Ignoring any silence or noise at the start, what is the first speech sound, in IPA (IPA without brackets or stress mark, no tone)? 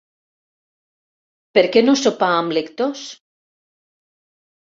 p